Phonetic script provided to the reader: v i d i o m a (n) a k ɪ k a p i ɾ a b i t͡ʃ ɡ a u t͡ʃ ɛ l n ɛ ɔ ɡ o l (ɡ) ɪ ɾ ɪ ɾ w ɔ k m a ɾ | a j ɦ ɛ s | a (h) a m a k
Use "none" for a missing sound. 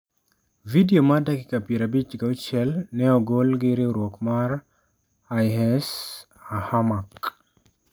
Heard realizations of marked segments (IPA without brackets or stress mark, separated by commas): d, ɡ, h